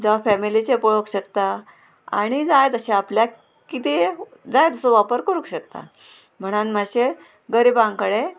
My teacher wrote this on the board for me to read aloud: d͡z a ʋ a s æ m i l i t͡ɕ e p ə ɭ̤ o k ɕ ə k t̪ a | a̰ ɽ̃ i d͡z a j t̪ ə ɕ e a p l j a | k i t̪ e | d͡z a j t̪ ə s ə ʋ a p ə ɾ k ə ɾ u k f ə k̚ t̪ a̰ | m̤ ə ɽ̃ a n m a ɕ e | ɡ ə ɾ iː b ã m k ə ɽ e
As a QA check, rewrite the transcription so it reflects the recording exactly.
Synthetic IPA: d͡z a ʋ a f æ m i l i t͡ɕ e p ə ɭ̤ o k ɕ ə k t̪ a | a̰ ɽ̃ i d͡z a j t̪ ə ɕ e a p l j a | k i t̪ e | d͡z a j t̪ ə s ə ʋ a p ə ɾ k ə ɾ u k ɕ ə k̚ t̪ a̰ | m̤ ə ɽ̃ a n m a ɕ e | ɡ ə ɾ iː b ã ŋ k ə ɽ e